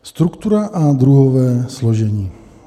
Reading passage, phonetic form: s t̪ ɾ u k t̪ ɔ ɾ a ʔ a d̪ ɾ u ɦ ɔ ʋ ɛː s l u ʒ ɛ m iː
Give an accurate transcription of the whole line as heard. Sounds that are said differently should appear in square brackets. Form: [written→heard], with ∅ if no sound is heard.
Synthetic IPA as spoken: s t̪ ɾ u k t̪ [ɔ→u] ɾ a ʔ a d̪ ɾ u ɦ ɔ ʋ ɛː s l [u→ɔ] ʒ ɛ [m→ɲ] iː